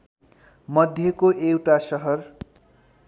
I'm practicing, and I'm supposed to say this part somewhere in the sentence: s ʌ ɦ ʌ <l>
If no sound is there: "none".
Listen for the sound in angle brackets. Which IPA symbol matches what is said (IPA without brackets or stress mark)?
r